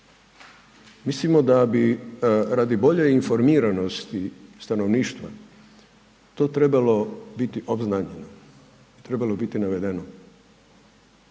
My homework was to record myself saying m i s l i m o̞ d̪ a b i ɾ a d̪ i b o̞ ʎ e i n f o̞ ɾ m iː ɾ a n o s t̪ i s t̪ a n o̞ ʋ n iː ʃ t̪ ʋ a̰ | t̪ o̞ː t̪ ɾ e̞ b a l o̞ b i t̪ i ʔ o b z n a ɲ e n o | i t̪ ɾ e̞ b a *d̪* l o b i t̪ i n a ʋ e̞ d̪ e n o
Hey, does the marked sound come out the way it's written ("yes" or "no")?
no